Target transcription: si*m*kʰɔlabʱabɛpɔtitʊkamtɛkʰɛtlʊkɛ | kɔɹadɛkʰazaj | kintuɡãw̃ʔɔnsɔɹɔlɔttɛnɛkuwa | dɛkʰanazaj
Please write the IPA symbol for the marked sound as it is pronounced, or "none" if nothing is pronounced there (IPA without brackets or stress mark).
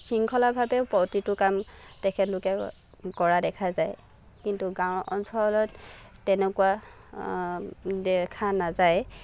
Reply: ŋ